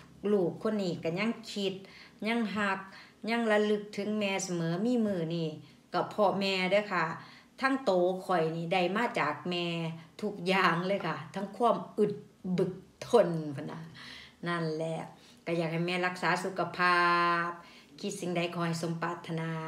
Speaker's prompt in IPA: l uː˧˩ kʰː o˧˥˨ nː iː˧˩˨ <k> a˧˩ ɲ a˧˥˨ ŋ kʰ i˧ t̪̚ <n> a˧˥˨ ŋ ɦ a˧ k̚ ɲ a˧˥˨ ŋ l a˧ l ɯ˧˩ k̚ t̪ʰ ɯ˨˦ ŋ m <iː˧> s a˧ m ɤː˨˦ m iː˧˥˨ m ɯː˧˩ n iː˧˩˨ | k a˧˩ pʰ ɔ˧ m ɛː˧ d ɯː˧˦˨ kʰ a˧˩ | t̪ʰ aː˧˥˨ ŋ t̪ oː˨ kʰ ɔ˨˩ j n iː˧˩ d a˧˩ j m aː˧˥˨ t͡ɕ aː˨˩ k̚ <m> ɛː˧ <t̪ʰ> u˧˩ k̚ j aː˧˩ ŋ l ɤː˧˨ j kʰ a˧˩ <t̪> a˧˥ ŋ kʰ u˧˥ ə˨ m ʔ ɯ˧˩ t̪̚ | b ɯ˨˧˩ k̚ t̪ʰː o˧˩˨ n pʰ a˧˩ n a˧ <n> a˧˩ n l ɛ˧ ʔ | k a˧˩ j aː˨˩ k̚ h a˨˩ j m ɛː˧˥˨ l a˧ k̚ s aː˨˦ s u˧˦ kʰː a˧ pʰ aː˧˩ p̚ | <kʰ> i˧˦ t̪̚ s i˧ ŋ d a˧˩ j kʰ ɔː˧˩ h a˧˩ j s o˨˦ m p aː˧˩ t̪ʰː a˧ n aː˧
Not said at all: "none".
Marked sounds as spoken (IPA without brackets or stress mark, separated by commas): k, ɲ, ɛː˧, m, t̪ʰ, t̪ʰ, n, kʰ